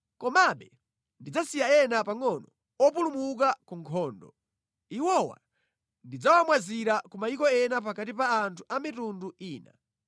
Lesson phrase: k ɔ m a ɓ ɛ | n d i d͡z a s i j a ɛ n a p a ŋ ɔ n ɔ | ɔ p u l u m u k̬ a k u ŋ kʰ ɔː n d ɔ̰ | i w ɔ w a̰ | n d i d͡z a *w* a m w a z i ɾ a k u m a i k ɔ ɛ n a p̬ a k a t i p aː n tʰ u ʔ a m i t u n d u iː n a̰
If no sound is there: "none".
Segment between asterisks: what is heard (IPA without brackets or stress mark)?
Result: w